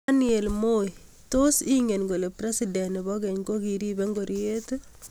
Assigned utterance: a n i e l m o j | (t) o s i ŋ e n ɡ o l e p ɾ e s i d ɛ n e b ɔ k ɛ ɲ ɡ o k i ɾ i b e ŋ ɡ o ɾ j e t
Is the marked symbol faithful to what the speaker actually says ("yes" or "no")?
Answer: yes